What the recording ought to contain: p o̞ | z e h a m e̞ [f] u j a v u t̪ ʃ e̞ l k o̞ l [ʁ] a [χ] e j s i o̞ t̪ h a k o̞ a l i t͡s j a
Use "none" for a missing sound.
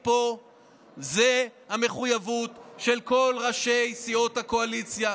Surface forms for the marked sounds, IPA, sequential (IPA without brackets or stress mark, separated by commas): χ, ʁ, ʃ